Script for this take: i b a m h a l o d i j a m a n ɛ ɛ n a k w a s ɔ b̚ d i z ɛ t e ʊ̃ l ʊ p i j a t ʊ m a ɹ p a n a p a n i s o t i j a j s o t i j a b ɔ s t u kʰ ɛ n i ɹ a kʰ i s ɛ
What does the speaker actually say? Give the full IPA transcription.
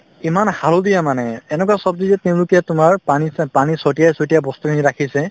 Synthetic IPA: i m a n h a l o d i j a m a n ɛ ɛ n ɛ k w a s ɔ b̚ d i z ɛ t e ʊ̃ l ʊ k i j a t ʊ m a ɹ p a n i p a n i s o t i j a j s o t i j a b ɔ s t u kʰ i n i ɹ a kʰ i s ɛ